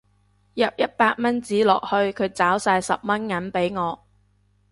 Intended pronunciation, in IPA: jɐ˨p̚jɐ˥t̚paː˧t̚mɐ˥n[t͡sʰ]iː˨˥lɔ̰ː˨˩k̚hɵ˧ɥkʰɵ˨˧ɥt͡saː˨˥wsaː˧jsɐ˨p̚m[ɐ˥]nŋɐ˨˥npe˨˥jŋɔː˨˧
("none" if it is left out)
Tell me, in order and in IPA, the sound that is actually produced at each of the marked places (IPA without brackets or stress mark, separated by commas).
t͡s, ɐ˥